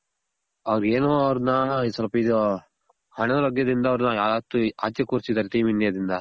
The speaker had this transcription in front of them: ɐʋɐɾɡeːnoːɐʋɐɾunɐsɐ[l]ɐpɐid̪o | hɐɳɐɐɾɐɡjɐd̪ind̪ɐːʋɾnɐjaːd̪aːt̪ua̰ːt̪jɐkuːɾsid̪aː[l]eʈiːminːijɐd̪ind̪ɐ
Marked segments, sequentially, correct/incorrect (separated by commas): correct, incorrect